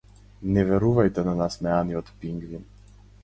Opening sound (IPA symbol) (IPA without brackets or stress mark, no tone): n